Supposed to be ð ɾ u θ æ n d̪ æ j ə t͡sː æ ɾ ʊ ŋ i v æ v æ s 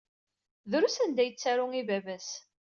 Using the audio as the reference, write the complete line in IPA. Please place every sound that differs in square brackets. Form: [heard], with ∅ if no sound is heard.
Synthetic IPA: ð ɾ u [s] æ n d̪ æ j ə t͡sː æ ɾ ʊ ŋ i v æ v æ s

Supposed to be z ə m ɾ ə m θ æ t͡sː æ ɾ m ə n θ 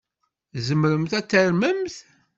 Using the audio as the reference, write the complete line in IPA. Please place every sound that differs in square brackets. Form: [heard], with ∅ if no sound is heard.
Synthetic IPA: z ə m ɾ ə m θ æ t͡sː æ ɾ m ə [m] θ

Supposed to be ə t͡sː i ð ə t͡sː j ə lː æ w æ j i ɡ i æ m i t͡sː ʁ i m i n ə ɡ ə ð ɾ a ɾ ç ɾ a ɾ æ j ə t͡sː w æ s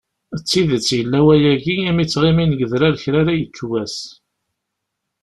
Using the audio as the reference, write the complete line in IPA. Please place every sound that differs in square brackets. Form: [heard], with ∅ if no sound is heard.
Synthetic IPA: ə t͡sː i ð ə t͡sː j ə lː æ w æ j [æ] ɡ i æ m i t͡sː ʁ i m i n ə ɡ ə ð ɾ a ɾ ç ɾ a ɾ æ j ə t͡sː w æ s

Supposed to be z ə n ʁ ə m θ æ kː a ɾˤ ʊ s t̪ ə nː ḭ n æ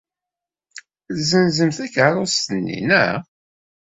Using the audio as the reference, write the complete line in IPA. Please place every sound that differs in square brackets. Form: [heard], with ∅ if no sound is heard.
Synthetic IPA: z ə n [z] ə m θ æ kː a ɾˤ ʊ s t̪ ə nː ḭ n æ

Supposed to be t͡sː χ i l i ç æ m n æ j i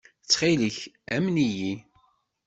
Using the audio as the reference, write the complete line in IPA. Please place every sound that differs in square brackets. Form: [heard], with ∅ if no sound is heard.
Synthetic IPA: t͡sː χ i l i ç æ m n [i] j i

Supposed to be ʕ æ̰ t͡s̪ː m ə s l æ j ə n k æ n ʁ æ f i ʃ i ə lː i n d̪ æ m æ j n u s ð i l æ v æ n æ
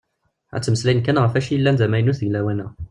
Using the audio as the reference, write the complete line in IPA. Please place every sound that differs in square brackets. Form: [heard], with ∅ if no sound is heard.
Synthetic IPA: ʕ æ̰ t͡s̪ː m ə s l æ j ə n k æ n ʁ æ f [æ] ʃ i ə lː [æ] n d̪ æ m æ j n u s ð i l æ [w] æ n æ

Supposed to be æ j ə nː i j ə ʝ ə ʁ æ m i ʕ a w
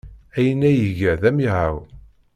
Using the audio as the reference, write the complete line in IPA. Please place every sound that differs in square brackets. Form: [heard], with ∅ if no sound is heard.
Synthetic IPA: æ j ə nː [æ] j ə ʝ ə [ð] æ m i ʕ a w

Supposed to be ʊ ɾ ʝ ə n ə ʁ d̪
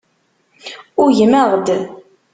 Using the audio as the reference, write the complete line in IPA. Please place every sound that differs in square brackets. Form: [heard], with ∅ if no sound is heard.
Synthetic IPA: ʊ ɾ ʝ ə [m] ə ʁ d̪

